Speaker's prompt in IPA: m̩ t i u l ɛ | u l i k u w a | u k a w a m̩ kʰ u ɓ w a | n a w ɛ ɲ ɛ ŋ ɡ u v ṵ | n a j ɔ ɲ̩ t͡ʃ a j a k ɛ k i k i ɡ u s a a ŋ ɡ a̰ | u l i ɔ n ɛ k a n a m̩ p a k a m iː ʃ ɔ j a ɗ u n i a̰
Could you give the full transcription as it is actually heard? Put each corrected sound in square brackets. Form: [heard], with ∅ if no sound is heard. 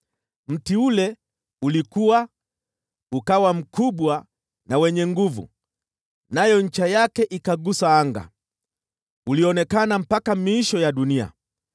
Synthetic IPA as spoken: m̩ t i u l ɛ | u l i k u w a | u k a w a m̩ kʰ u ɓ w a | n a w ɛ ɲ ɛ ŋ ɡ u v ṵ | n a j ɔ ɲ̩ t͡ʃ a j a k ɛ [ʔ] i k [a] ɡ u s a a ŋ ɡ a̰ | u l i ɔ n ɛ k a n a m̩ p a k a m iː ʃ ɔ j a ɗ u n i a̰